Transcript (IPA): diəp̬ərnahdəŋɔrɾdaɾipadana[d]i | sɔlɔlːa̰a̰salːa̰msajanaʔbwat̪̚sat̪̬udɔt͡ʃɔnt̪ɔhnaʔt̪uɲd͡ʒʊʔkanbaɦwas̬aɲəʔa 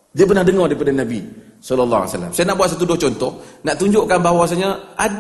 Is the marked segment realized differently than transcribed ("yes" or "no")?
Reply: yes